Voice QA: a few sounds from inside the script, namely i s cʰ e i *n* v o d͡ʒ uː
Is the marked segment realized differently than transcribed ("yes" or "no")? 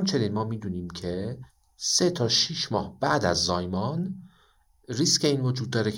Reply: no